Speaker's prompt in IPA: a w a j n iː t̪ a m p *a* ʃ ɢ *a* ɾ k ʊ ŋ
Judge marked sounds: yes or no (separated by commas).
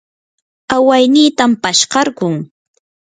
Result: yes, no